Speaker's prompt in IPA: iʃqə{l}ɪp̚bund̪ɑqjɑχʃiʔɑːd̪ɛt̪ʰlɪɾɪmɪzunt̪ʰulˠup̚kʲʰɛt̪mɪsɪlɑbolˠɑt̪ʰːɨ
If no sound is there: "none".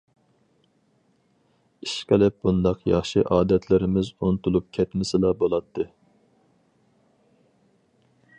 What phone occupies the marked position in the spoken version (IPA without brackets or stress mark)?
l